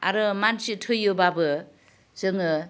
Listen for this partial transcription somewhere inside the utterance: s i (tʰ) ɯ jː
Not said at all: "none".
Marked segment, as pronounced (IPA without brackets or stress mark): tʰ